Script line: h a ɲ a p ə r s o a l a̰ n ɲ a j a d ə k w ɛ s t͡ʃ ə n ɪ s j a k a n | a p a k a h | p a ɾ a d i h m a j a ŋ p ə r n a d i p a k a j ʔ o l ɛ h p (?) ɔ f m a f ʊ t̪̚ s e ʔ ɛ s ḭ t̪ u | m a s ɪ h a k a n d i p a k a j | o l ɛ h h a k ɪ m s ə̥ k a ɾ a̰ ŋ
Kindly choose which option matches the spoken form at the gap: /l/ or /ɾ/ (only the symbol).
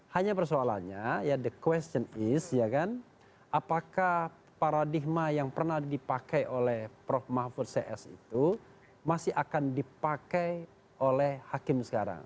ɾ